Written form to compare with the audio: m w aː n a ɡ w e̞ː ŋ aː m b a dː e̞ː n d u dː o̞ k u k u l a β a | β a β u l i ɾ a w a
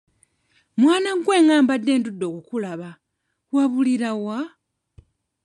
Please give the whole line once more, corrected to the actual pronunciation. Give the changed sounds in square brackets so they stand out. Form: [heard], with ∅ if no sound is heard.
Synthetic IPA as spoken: m w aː n a ɡ w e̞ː ŋ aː m b a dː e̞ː n d u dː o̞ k u k u l a β a | [w] a β u l i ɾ a w a